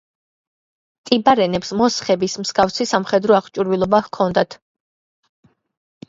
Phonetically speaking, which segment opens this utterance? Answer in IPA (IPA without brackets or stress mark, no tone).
t̪ʼ